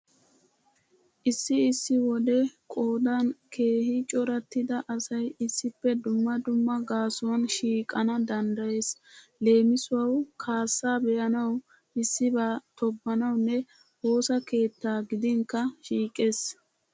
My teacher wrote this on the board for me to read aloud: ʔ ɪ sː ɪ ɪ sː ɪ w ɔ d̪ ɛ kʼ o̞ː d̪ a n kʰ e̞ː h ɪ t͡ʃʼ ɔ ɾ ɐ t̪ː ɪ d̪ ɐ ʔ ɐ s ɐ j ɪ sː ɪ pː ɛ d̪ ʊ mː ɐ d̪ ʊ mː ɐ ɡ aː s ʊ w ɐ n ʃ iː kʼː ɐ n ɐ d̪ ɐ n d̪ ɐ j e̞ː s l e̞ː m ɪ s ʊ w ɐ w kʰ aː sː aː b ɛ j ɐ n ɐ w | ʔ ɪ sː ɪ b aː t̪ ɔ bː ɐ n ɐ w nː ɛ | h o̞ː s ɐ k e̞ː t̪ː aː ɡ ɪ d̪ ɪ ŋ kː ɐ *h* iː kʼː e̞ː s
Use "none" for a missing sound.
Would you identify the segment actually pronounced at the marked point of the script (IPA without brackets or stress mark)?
ʃ